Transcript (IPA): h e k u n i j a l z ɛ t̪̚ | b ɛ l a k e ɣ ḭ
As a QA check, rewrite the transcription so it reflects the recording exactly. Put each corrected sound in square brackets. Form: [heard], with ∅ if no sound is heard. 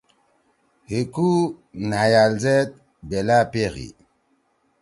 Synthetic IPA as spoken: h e k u n [a] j a l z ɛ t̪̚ | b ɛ l a [p] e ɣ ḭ